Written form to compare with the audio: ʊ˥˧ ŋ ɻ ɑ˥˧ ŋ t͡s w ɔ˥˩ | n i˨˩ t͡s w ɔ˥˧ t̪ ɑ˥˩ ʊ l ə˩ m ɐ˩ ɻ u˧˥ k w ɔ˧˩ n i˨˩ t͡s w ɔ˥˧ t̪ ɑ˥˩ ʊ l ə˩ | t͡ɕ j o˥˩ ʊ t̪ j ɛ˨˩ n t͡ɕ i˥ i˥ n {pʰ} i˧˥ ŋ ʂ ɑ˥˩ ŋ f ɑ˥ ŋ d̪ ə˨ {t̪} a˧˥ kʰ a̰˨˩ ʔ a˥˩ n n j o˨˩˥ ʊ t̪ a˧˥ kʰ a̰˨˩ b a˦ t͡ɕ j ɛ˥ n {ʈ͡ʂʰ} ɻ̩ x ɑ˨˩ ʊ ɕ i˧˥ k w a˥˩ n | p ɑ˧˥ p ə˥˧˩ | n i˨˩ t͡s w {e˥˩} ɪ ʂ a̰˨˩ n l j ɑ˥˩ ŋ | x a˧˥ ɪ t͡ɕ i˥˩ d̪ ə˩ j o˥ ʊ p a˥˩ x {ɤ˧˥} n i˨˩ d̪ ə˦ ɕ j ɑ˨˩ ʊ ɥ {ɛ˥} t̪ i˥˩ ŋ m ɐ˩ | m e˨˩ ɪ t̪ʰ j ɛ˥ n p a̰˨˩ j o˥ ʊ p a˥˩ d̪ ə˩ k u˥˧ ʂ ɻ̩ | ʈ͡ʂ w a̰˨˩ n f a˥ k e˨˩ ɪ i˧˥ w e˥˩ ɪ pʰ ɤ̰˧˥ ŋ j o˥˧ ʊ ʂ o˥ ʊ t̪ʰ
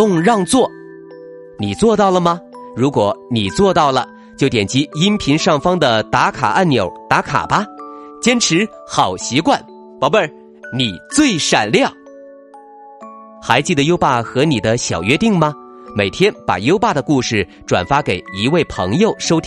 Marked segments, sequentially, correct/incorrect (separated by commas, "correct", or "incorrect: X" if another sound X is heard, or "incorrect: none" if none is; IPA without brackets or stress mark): correct, correct, correct, correct, correct, correct